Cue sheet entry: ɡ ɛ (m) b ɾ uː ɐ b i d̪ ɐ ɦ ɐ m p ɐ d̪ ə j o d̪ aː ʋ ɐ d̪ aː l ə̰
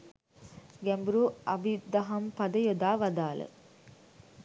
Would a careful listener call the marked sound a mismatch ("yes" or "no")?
no